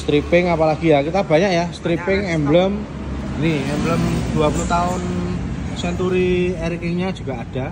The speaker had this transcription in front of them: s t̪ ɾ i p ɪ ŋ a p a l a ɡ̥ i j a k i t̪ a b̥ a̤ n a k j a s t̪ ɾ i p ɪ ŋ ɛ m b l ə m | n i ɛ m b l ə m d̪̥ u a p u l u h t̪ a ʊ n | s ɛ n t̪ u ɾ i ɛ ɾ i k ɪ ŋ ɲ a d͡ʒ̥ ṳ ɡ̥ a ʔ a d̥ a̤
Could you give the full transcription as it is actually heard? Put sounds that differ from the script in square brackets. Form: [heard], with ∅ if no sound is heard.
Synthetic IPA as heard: s t̪ ɾ i p ɪ ŋ a p a l a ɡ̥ i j a k i t̪ a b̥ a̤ [ɲ] a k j a s t̪ ɾ i p ɪ ŋ ɛ m b l ə m | n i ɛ m b l ə m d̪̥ u a p u l u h t̪ a ʊ n | s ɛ n t̪ u ɾ i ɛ ɾ i k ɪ ŋ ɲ a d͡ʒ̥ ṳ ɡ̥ a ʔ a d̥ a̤

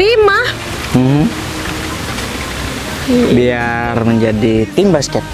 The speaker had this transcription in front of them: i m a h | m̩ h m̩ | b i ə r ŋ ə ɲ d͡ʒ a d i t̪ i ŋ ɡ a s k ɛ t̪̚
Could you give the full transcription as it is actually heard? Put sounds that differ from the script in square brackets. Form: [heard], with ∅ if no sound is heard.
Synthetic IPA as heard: i m a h | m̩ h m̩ | b i [a] r [m] ə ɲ d͡ʒ a d i t̪ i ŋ [b] a s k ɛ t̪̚

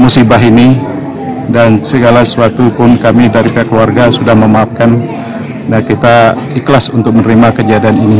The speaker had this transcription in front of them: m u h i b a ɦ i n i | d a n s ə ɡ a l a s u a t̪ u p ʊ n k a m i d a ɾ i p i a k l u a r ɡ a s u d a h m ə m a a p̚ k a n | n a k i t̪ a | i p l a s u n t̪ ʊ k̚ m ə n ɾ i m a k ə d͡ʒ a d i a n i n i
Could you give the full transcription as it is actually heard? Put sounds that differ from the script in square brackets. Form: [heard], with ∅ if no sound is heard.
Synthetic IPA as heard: m u [s] i b a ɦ i n i | d a n s ə ɡ a l a s u a t̪ u p ʊ n k a m i d a ɾ i p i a k l u a r ɡ a s u d a h m ə m a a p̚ k a n | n a k i t̪ a | i [k] l a s u n t̪ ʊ k̚ m ə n ɾ i m a k ə d͡ʒ a d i a n i n i

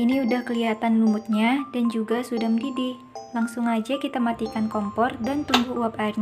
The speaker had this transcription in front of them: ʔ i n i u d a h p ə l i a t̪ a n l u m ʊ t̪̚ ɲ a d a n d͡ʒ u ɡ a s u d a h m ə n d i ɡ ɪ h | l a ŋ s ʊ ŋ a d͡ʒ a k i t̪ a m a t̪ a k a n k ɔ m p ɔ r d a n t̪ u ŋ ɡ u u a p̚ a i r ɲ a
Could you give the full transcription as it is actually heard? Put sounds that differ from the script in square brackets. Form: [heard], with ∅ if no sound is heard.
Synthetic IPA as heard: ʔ i n i u d a h [k] ə l i a t̪ a n l u m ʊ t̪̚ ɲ a d a n d͡ʒ u ɡ a s u d a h m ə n d i [d] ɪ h | l a ŋ s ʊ ŋ a d͡ʒ a k i t̪ a m a t̪ [i] k a n k ɔ m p ɔ r d a n t̪ u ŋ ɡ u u a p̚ a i r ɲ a

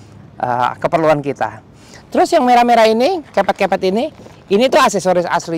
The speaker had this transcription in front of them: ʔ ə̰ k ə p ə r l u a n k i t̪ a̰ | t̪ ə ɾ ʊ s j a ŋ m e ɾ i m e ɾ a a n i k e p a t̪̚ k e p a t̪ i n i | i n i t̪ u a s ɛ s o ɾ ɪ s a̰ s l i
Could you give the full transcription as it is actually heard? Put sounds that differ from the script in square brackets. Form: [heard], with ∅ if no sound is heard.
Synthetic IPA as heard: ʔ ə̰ k ə p ə r l u a n k i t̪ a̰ | t̪ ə ɾ ʊ s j a ŋ m e ɾ [a] m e ɾ a [i] n i k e p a t̪̚ k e p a t̪ i n i | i n i t̪ u a s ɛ s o ɾ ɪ s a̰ s l i

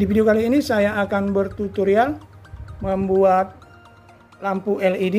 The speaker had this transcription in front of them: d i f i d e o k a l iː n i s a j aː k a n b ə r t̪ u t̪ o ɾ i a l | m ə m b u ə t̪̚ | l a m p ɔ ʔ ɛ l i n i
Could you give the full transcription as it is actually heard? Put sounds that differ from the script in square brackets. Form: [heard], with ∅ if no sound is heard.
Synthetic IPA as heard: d i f i d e o k a l iː n i s a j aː k a n b ə r t̪ u t̪ [u] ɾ i a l | m ə m b u [a] t̪̚ | l a m p [u] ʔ ɛ l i [d] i

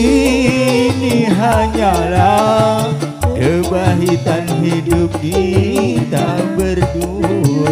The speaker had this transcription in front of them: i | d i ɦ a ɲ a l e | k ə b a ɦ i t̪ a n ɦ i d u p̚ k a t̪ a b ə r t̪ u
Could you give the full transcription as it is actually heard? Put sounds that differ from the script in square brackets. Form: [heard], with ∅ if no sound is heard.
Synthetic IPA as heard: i | [n] i ɦ a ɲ a l [a] | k ə b a ɦ i t̪ a n ɦ i d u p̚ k [i] t̪ a b ə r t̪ u

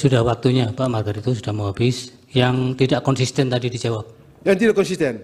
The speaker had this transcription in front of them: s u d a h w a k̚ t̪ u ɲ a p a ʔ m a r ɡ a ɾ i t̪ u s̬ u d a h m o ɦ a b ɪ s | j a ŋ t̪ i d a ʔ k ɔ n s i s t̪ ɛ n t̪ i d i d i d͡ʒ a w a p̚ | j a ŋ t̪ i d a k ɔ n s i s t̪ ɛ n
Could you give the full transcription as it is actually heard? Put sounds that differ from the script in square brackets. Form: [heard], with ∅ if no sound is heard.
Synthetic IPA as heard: s u d a h w a k̚ t̪ u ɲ a p a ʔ m a r ɡ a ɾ i t̪ u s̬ u d a h m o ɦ a b ɪ s | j a ŋ t̪ i d a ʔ k ɔ n s i s t̪ ɛ n t̪ [a] d i d i d͡ʒ a w a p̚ | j a ŋ t̪ i d a k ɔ n s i s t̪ ɛ n

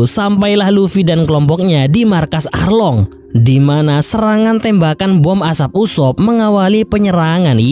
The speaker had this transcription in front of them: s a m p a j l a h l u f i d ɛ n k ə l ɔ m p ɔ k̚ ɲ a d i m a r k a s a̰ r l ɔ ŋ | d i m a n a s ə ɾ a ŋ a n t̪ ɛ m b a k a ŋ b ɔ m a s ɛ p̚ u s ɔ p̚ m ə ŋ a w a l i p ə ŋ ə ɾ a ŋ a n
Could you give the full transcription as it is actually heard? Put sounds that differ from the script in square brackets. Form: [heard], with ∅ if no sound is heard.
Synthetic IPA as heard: s a m p a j l a h l u f i d [a] n k ə l ɔ m p ɔ k̚ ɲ a d i m a r k a s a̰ r l ɔ ŋ | d i m a n a s ə ɾ a ŋ a n t̪ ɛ m b a k a [n] b ɔ m a s [a] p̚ u s ɔ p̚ m ə ŋ a w a l i p ə [ɲ] ə ɾ a ŋ a n

